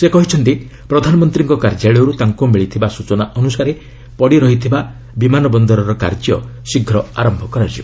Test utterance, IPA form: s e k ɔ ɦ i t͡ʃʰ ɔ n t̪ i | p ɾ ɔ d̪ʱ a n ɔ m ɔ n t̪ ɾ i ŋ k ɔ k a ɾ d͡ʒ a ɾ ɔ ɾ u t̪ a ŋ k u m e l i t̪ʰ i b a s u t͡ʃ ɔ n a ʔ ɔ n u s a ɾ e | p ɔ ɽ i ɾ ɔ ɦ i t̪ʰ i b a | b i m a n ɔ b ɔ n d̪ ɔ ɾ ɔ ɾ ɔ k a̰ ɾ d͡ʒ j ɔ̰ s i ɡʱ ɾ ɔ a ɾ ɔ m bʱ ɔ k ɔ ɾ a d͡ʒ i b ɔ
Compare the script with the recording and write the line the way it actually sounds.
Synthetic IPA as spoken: s e k ɔ ɦ i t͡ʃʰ ɔ n t̪ i | p ɾ ɔ d̪ʱ a n ɔ m ɔ n t̪ ɾ i ŋ k ɔ k a ɾ d͡ʒ a ɭ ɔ ɾ u t̪ a ŋ k u m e ɭ i t̪ʰ i b a s u t͡ʃ ɔ n a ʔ ɔ n u s a ɾ e | p ɔ ɽ i ɾ ɔ ɦ i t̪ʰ i b a | b i m a n ɔ b ɔ n d̪ ɔ ɾ ɔ ɾ ɔ k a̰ ɾ d͡ʒ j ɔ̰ s i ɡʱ ɾ ɔ a ɾ ɔ m bʱ ɔ k ɔ ɾ a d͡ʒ i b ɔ